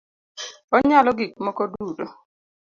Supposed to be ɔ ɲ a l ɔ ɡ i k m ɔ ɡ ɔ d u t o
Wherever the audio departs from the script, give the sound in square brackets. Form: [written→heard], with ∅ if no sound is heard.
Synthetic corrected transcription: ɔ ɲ a l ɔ ɡ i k m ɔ [ɡ→k] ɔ d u [t→d] o